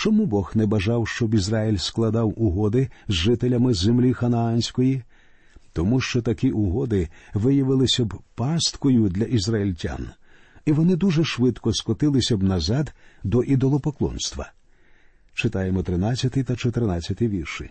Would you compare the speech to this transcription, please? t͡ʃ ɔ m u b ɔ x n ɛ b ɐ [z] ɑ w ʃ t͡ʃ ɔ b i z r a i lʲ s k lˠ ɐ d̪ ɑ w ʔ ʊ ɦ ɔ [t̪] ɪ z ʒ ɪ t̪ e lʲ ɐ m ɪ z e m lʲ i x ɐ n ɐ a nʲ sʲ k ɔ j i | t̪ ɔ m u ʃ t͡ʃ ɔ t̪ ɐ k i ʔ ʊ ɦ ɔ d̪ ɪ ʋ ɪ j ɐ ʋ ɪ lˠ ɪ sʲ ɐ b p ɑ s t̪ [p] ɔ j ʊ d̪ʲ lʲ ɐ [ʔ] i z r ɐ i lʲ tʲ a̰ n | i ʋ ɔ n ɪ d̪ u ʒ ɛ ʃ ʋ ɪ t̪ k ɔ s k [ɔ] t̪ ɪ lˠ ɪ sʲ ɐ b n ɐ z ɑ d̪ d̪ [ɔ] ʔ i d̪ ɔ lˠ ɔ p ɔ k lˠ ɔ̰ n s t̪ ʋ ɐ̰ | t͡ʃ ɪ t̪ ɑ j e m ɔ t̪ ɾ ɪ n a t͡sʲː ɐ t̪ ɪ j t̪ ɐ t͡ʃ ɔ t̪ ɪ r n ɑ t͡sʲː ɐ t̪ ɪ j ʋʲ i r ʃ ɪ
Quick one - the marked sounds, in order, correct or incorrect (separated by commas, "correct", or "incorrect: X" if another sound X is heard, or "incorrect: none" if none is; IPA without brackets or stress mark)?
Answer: incorrect: ʒ, incorrect: d̪, incorrect: k, correct, correct, correct